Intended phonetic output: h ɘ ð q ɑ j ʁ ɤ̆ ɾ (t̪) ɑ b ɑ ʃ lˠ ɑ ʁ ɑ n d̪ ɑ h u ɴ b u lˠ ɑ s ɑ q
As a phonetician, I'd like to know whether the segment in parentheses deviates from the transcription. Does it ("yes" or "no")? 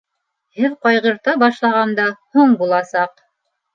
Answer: no